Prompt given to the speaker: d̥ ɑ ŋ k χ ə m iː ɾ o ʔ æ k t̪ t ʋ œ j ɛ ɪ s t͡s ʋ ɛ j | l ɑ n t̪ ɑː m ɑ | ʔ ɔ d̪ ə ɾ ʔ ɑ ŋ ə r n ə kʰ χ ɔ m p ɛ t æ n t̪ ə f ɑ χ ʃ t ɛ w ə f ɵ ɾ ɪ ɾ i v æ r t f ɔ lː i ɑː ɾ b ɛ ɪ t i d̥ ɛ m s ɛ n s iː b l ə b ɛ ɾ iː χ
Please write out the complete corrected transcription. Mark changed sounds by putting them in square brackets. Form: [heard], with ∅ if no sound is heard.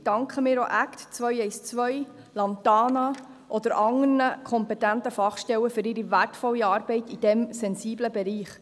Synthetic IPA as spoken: d̥ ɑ ŋ k χ ə m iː ɾ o ʔ æ k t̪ [t͡s] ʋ œ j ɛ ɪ s t͡s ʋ [œ] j | l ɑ n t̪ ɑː [n] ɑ | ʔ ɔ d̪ ə ɾ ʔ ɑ ŋ ə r n ə kʰ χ ɔ m p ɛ t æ n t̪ ə f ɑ χ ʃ t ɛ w ə f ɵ ɾ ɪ ɾ i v æ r t f ɔ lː i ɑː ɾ b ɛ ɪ t i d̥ ɛ m s ɛ n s iː b l ə b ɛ ɾ iː χ